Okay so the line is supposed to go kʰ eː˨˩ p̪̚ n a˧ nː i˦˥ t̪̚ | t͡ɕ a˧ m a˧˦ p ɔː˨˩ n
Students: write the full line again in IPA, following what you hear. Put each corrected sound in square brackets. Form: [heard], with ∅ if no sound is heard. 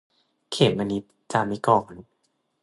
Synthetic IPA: kʰ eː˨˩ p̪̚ [m] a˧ [n] i˦˥ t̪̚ | t͡ɕ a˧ m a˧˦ [k] ɔː˨˩ n